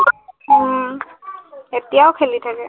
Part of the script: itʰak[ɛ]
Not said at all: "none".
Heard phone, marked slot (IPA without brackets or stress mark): ɛ